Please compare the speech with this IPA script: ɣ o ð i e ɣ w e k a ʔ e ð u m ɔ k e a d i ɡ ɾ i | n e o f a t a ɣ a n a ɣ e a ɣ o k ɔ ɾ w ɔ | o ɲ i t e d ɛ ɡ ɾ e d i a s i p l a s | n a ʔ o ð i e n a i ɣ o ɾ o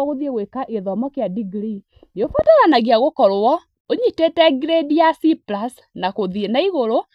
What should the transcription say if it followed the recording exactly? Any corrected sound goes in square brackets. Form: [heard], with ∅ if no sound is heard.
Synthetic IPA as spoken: ɣ o ð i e ɣ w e k a ʔ e ð [ɔ] m ɔ k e a d i ɡ ɾ i | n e o f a t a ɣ a n a ɣ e a ɣ o k ɔ ɾ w ɔ | o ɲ i t e [t] ɛ ɡ ɾ e d i a s i p l a s | n a [k] o ð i e n a i ɣ o ɾ o